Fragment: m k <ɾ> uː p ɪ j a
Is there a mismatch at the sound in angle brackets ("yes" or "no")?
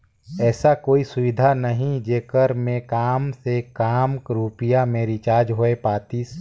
no